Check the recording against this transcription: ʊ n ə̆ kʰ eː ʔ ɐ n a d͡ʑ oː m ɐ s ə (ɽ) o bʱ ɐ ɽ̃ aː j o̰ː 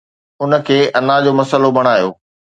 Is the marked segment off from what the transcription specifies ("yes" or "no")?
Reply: yes